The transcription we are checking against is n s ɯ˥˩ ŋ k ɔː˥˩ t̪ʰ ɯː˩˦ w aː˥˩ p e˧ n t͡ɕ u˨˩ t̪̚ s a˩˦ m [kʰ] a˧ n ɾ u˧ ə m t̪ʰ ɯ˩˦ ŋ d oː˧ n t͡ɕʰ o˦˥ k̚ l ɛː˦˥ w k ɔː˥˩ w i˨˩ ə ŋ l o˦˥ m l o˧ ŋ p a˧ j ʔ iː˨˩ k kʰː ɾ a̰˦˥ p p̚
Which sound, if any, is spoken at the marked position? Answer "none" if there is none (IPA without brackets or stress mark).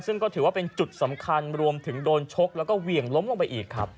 kʰ